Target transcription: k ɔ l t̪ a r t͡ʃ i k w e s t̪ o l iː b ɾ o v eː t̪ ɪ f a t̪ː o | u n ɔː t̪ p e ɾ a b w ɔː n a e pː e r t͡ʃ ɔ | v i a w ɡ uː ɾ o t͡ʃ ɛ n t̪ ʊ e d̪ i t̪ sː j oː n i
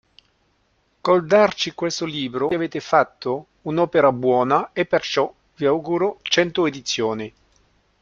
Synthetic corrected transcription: k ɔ l d̪ a r t͡ʃ i k w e s t̪ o l iː b ɾ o v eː t̪ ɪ f a t̪ː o | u n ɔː p e ɾ a b w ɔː n a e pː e r t͡ʃ ɔ | v i a w ɡ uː ɾ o t͡ʃ ɛ n t̪ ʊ e d̪ i t̪ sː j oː n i